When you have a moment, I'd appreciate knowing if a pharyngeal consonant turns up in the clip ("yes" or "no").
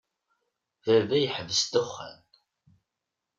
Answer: yes